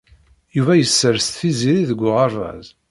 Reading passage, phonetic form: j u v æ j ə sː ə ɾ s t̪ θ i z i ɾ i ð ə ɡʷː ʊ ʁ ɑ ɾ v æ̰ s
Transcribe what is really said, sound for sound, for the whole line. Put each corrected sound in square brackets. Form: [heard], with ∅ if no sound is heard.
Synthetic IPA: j u v æ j ə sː ə ɾ s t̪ θ i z i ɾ i ð ə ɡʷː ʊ ʁ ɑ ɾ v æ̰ [z]